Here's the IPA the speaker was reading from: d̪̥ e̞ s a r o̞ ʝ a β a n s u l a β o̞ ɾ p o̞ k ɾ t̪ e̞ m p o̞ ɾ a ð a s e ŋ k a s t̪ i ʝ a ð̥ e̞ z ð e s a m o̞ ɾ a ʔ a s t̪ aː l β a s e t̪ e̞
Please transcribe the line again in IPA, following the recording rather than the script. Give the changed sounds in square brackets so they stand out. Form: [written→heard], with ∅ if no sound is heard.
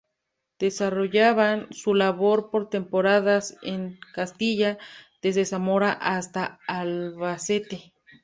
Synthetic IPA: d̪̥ e̞ s a r o̞ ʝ a β a n s u l a β o̞ ɾ p o̞ [k→∅] ɾ t̪ e̞ m p o̞ ɾ a ð a s e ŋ k a s t̪ i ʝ a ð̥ e̞ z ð e s a m o̞ ɾ a ʔ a s t̪ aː l β a s e t̪ e̞